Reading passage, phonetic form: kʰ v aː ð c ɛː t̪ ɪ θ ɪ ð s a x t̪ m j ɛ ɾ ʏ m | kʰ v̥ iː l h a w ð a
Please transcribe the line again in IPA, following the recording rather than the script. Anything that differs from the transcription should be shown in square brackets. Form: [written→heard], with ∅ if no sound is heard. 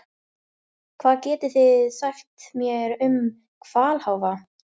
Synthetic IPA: kʰ v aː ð c ɛː t̪ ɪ θ ɪ ð s a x t̪ m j ɛ ɾ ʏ m | kʰ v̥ [iː→aː] l h a w [ð→v] a